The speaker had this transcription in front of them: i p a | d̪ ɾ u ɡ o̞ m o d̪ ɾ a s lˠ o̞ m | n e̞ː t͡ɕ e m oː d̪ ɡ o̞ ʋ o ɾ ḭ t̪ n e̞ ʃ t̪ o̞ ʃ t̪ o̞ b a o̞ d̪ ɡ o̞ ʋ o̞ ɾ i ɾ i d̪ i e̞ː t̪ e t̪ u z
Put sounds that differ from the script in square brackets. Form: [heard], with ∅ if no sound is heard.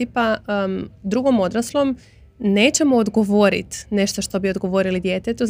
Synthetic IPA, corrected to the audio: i p a | d̪ ɾ u ɡ o̞ m o d̪ ɾ a s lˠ o̞ m | n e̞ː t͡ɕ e m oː d̪ ɡ o̞ ʋ o ɾ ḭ t̪ n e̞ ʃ t̪ o̞ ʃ t̪ o̞ b [i] o̞ d̪ ɡ o̞ ʋ o̞ ɾ i [l] i d̪ [j] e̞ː t̪ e t̪ u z